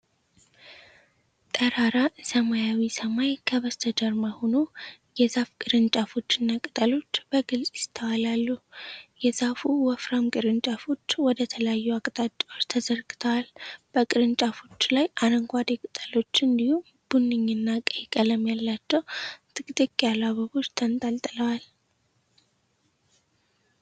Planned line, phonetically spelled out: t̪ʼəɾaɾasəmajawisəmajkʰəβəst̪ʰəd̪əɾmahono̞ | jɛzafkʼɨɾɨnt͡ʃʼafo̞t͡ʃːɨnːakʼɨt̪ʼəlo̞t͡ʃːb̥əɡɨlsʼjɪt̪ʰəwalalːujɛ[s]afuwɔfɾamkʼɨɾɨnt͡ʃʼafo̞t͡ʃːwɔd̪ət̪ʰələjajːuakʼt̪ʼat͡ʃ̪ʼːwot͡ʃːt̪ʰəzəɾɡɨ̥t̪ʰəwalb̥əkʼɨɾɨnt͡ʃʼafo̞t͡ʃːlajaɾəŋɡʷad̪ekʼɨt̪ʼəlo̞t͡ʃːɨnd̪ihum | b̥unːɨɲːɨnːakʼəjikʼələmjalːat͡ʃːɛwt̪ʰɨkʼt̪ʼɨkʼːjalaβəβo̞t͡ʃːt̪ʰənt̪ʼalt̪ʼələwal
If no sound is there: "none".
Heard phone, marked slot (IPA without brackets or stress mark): z